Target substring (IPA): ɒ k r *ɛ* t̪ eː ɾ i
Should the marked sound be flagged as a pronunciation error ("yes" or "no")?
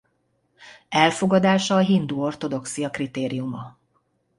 yes